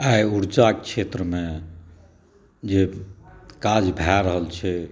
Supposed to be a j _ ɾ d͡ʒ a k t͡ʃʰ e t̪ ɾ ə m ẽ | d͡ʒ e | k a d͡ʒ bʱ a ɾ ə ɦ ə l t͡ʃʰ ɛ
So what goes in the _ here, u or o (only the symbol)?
u